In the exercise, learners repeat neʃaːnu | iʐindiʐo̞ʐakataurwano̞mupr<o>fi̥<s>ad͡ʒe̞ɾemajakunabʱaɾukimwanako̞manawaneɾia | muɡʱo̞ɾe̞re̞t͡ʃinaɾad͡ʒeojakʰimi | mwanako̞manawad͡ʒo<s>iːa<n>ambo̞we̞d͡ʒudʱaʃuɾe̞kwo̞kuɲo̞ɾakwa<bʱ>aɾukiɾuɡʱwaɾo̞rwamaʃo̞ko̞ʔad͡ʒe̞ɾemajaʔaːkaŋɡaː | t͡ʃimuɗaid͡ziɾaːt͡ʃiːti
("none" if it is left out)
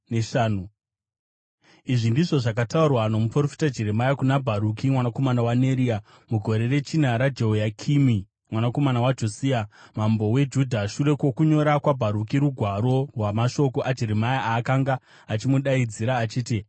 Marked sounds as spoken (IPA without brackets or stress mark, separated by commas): o, t, s, m, bʱ